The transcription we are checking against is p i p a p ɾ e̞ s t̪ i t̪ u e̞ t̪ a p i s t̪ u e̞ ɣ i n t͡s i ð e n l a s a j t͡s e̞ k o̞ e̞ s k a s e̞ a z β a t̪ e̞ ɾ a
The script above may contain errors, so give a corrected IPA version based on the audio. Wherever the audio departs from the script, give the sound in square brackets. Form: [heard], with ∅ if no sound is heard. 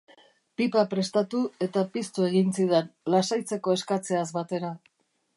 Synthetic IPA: p i p a p ɾ e̞ s t̪ [a] t̪ u e̞ t̪ a p i s t̪ u e̞ ɣ i n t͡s i ð e n l a s a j t͡s e̞ k o̞ e̞ s k a [t͡s] e̞ a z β a t̪ e̞ ɾ a